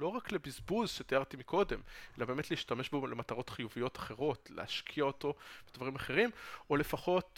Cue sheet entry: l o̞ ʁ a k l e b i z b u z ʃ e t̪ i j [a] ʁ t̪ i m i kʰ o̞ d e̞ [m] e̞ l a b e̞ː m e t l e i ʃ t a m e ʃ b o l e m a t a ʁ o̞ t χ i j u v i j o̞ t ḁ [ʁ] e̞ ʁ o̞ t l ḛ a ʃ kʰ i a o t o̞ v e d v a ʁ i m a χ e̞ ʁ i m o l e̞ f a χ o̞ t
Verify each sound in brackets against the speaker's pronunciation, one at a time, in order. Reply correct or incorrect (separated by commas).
correct, correct, incorrect